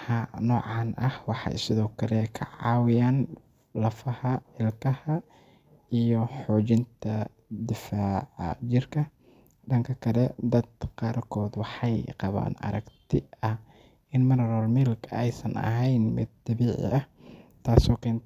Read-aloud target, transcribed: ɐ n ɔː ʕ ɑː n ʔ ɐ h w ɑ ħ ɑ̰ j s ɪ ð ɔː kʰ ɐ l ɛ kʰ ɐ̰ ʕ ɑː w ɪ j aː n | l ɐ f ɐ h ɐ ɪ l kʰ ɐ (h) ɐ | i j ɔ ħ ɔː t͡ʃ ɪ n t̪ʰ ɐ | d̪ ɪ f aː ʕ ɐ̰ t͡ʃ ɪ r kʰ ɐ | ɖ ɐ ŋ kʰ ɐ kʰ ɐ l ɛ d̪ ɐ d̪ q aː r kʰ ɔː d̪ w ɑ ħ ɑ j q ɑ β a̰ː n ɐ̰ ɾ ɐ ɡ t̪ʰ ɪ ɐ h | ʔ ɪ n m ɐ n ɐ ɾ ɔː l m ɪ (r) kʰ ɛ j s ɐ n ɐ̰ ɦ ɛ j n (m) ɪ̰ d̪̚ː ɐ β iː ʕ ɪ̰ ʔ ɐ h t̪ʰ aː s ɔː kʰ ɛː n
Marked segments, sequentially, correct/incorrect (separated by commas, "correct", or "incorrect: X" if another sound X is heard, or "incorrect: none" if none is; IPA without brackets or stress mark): correct, incorrect: l, correct